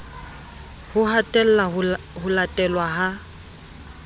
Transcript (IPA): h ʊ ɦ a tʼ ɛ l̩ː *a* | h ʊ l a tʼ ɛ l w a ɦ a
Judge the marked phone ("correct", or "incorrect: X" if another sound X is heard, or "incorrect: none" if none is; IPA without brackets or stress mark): correct